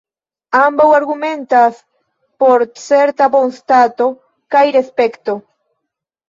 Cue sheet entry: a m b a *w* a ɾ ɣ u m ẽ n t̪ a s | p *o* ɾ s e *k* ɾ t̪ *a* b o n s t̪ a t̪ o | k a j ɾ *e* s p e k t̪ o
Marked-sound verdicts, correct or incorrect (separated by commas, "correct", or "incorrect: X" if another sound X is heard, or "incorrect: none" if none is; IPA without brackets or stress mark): correct, correct, incorrect: none, correct, correct